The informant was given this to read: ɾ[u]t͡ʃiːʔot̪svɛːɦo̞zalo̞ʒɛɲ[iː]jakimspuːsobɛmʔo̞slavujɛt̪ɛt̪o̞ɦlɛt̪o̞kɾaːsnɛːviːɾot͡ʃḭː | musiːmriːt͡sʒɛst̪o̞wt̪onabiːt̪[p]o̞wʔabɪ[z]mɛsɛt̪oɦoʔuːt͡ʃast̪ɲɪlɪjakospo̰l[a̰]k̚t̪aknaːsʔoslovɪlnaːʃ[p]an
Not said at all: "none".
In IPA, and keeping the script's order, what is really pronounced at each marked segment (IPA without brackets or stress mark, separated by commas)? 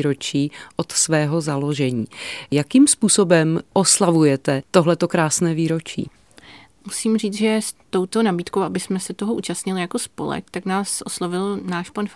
o, iː, k, s, ɛ̰, p